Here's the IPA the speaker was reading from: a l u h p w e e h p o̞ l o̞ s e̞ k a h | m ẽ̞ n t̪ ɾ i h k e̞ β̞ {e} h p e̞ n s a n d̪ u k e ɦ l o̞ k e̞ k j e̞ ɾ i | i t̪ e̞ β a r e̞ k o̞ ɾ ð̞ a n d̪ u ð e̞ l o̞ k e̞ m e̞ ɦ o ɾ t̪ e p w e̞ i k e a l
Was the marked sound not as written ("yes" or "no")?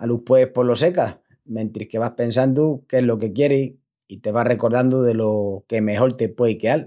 yes